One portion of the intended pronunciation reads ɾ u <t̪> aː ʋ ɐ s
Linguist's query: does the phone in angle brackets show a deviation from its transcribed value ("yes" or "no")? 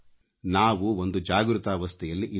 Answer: no